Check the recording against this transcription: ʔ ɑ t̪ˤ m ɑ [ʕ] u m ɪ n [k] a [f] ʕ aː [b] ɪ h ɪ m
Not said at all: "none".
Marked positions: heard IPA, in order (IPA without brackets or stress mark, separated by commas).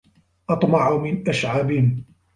ʕ, ʔ, ʃ, b